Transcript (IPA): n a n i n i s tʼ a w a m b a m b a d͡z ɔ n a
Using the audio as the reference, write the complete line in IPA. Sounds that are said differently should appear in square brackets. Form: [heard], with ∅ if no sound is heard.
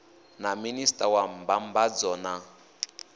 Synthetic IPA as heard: n a [m] i n i s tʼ a w a m b a m b a d͡z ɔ n a